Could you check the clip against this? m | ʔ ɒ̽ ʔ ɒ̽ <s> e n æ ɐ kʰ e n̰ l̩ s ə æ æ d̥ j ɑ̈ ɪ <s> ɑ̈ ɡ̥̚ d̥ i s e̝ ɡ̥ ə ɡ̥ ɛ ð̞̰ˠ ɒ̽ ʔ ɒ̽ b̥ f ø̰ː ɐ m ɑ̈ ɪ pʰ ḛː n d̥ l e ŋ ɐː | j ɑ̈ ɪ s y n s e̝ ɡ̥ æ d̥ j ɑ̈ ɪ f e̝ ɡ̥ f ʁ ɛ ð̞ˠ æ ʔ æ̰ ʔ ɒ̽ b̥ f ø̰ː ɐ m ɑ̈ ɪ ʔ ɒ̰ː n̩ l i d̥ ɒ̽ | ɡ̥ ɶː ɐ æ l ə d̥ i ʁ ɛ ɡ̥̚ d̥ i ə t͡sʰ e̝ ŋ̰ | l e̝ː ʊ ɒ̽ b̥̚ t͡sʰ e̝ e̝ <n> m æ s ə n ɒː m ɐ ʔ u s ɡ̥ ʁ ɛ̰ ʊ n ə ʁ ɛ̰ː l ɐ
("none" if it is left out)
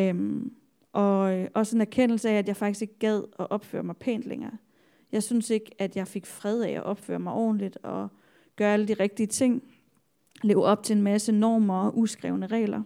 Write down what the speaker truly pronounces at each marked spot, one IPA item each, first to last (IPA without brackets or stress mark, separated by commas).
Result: s, f, n